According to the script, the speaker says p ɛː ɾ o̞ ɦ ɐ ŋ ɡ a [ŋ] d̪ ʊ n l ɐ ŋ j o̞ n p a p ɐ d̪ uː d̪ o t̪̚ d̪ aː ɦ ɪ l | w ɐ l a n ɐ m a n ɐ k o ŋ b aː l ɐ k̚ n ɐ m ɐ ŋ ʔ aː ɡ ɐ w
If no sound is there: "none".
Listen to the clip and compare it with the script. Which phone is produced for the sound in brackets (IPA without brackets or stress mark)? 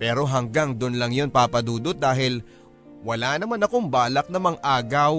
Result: ŋ